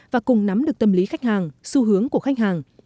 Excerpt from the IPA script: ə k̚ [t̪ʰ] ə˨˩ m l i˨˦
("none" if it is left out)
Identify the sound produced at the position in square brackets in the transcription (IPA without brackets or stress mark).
t̪